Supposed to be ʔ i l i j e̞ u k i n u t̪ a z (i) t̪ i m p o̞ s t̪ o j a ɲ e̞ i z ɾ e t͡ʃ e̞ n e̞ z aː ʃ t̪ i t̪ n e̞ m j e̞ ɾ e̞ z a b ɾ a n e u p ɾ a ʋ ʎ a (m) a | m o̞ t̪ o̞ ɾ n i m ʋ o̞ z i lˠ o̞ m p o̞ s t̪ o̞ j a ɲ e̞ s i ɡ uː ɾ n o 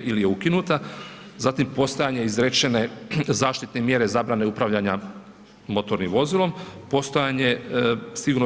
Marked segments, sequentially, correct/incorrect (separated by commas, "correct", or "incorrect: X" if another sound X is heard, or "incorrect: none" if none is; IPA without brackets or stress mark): incorrect: a, incorrect: ɲ